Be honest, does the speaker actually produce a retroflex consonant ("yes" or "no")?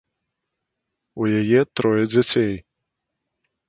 no